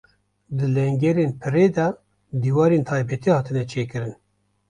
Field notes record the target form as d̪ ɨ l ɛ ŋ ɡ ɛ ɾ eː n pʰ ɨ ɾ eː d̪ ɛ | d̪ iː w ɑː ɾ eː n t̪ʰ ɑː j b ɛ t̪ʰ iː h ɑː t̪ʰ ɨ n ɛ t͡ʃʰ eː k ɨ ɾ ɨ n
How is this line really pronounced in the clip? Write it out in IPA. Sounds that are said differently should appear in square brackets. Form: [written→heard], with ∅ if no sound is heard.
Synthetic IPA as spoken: d̪ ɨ l ɛ ŋ ɡ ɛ ɾ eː n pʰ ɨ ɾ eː d̪ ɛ | d̪ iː w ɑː ɾ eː n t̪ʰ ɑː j b ɛ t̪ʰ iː h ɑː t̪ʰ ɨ n ɛ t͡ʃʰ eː k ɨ ɾ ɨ n